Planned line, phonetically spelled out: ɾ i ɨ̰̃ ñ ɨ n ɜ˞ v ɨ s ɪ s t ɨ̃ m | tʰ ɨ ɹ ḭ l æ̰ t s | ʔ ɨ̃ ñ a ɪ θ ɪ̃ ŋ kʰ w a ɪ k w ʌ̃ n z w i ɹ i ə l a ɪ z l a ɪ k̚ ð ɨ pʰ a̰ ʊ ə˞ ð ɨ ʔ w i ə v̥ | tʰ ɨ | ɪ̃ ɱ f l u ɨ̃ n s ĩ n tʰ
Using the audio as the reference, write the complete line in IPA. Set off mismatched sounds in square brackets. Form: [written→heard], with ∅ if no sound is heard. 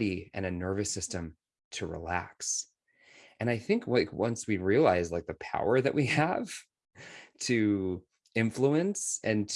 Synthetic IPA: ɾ i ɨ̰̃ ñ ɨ n ɜ˞ v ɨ s ɪ s t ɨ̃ m | tʰ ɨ ɹ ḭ l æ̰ [t→k] s | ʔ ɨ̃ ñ a ɪ θ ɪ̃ ŋ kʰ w a ɪ k w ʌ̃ n [z→s] w i ɹ i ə l a ɪ z l a ɪ k̚ ð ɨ pʰ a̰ ʊ ə˞ ð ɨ ʔ w i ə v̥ | tʰ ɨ | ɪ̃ ɱ f l u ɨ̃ n s [ĩ→ɨ̃] n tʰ